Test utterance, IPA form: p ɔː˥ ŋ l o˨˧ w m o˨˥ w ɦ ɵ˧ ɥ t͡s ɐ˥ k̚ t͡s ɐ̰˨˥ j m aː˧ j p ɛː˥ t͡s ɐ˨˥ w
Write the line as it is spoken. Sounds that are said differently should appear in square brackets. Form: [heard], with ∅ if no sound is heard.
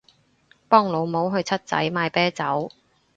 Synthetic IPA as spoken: p ɔː˥ ŋ l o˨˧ w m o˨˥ w ɦ ɵ˧ ɥ [t͡sʰ] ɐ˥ [t̚] t͡s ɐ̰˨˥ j m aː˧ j p ɛː˥ t͡s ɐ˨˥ w